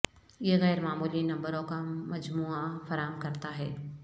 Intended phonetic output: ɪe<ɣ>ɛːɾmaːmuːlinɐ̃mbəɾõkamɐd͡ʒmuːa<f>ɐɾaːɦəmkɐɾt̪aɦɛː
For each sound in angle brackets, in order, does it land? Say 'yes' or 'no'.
yes, yes

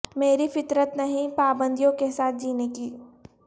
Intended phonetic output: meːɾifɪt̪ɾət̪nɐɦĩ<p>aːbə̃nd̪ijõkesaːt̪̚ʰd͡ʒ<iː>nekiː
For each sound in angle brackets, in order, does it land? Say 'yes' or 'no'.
yes, yes

